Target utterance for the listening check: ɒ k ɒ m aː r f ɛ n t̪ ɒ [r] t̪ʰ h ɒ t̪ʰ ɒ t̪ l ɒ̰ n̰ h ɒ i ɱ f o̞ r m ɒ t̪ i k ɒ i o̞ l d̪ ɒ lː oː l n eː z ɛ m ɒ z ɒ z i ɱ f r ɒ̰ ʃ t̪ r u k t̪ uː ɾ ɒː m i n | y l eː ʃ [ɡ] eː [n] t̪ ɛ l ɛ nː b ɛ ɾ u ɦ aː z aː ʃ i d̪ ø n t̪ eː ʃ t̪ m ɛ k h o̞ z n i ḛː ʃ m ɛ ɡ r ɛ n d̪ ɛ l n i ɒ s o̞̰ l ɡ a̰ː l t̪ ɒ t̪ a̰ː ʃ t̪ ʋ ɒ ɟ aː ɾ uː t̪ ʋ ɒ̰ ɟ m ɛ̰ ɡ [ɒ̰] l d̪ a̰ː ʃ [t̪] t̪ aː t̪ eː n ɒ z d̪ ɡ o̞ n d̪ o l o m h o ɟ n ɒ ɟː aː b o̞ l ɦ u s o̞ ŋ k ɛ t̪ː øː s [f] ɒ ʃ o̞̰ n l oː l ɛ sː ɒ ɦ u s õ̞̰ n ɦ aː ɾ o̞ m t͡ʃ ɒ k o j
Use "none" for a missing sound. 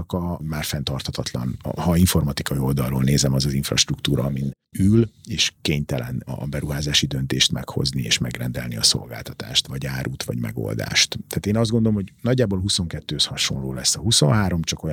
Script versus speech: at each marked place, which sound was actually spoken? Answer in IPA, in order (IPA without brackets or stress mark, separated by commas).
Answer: r, k, ɲ, o̰, t̪, h